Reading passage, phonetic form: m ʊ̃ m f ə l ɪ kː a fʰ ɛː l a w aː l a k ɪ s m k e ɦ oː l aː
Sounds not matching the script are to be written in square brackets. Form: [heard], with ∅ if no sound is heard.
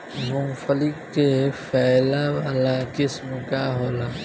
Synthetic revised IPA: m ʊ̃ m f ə l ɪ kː [e] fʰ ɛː l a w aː l a k ɪ s m k [a] ɦ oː l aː